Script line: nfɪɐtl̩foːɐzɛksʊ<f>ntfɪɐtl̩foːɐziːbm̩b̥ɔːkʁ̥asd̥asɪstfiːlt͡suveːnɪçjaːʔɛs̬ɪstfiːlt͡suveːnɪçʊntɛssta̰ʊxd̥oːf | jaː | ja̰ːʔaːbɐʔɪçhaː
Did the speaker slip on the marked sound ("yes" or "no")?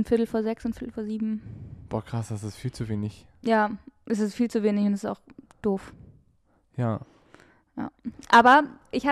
yes